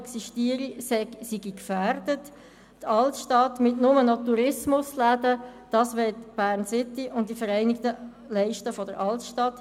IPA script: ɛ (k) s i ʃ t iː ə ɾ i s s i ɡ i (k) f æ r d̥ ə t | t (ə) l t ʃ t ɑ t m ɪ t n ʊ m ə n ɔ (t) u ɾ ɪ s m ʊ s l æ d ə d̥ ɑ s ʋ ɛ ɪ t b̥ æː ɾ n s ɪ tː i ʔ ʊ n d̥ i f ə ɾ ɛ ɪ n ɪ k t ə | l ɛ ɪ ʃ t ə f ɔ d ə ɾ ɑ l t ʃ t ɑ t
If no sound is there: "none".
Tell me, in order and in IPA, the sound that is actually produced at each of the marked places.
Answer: k, k, ɑ, t

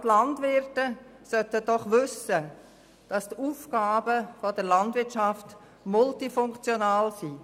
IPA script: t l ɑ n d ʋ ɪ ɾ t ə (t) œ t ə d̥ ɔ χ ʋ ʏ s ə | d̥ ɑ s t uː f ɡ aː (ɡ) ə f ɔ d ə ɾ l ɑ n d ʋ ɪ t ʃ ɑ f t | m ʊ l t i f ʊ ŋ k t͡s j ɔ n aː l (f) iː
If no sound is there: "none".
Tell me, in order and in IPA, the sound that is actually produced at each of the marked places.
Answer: s, b, s

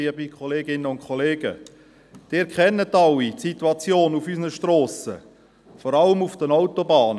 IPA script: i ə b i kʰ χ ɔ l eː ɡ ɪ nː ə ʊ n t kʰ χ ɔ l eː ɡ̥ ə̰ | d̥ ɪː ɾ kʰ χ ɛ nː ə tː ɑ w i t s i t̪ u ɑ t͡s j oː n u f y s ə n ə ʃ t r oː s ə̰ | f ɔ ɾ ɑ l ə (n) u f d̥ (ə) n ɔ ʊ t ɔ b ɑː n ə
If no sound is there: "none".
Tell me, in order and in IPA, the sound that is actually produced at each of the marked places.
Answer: m, ə

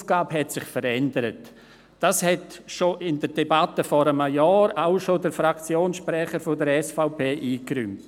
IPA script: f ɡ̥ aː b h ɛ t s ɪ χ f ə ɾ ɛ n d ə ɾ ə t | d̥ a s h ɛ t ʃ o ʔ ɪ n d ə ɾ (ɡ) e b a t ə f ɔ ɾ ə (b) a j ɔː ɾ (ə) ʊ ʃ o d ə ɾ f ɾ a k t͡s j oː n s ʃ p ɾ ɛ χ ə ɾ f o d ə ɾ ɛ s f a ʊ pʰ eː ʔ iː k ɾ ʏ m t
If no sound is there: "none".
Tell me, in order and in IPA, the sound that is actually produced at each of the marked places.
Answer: d, m, a

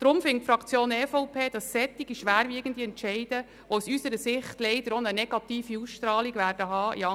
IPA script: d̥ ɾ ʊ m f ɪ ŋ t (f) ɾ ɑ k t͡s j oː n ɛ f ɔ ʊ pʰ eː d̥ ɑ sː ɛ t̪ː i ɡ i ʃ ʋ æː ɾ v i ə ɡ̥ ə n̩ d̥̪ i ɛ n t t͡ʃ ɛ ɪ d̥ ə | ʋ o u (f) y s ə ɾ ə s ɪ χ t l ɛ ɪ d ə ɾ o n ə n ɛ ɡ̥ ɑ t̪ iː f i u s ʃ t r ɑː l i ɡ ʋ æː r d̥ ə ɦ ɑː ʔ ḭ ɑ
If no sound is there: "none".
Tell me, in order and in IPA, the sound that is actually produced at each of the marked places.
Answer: f, s

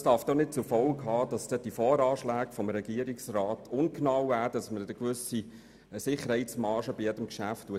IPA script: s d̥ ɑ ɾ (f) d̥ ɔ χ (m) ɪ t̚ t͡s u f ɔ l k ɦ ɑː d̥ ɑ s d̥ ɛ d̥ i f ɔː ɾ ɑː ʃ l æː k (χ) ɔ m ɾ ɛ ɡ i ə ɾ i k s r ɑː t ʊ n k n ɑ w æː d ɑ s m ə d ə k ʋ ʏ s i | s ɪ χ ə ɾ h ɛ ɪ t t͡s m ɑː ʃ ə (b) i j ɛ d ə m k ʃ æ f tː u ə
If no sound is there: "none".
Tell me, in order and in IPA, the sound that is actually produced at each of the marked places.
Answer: f, n, f, b

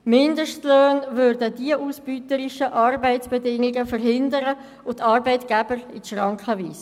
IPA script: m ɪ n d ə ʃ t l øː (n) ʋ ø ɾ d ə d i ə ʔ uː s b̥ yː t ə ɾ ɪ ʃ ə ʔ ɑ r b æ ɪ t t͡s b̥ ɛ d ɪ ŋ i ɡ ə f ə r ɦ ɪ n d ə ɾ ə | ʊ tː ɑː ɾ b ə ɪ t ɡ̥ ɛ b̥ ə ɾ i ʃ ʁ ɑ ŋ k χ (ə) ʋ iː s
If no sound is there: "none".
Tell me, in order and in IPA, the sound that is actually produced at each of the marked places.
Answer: n, ə

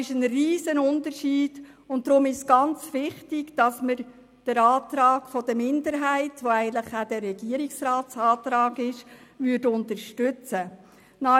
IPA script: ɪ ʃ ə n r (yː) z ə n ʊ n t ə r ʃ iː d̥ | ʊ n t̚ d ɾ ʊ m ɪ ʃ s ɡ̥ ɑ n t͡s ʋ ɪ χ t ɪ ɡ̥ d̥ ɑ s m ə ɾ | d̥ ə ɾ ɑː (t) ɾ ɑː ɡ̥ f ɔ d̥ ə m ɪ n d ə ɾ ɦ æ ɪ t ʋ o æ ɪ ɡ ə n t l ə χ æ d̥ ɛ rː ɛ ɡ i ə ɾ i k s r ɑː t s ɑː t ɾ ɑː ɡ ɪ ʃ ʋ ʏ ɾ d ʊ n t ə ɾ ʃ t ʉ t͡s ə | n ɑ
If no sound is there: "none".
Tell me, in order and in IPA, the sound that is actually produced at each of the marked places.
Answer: iː, t

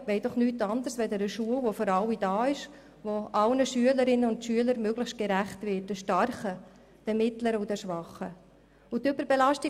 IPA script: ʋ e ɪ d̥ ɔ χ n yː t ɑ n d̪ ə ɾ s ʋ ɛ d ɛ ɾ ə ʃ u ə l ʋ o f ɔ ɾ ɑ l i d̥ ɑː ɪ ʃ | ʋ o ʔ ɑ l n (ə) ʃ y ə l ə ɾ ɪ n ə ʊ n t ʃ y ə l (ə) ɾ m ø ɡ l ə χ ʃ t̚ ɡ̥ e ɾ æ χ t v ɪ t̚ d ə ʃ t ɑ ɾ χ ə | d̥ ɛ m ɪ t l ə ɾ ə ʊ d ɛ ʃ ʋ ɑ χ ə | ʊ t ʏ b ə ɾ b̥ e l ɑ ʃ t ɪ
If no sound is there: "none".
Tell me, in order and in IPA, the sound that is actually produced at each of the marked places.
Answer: ə, ə

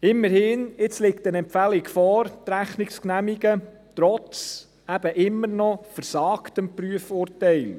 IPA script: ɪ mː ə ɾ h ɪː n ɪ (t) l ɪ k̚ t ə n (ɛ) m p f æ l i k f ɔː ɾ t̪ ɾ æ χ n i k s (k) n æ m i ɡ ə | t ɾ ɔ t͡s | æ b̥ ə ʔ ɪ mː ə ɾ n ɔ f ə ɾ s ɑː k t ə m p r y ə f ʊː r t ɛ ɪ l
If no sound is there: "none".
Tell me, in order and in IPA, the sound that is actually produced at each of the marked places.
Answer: t͡s, ɛ, k

